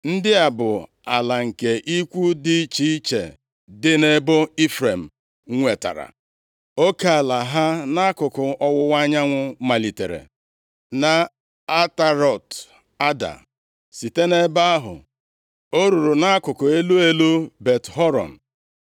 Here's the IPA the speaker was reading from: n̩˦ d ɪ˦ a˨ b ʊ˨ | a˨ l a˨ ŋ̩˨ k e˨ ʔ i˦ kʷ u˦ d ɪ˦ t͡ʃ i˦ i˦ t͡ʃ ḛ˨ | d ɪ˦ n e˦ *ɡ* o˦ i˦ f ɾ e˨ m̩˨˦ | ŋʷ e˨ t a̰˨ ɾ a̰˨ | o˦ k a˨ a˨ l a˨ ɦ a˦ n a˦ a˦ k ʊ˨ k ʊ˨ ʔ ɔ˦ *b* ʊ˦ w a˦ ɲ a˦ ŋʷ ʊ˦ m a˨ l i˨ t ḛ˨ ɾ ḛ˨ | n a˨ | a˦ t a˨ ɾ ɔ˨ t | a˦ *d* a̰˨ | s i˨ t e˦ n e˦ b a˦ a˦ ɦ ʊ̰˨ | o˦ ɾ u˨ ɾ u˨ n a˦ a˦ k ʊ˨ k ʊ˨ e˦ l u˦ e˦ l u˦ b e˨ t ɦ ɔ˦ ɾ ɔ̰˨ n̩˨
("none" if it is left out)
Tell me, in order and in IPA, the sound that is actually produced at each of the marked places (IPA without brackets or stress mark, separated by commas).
b, w, d